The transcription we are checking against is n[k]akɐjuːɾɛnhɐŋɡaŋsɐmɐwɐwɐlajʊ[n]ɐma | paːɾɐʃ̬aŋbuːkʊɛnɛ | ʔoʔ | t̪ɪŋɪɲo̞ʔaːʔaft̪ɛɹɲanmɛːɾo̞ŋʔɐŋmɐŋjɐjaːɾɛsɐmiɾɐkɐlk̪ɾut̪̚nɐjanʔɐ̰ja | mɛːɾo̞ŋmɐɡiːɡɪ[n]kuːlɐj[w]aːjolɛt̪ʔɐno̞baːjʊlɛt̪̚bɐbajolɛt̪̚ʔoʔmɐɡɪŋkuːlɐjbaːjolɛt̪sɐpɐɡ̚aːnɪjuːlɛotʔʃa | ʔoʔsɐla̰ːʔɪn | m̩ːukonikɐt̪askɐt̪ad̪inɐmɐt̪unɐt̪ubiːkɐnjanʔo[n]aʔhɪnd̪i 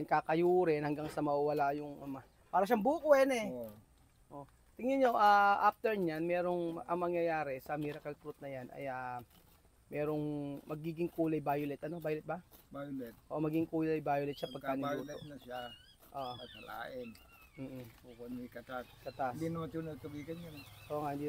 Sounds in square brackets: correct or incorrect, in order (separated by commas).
correct, incorrect, incorrect, incorrect, incorrect